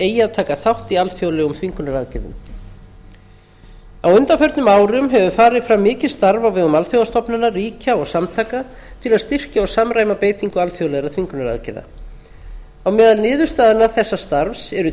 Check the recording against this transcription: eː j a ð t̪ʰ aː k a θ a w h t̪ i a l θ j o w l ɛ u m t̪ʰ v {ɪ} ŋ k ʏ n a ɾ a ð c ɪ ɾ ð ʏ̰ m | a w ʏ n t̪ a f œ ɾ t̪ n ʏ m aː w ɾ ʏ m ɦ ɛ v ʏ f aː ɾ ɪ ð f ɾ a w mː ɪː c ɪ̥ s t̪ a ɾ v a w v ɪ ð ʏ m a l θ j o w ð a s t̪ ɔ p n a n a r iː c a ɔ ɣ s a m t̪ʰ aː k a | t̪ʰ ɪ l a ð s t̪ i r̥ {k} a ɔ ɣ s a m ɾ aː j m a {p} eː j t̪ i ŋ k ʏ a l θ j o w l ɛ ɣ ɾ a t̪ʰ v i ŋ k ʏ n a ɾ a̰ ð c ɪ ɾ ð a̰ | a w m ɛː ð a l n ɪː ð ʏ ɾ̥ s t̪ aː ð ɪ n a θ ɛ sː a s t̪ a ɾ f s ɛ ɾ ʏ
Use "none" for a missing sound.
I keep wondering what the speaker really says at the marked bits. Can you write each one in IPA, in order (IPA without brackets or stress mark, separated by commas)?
i, c, p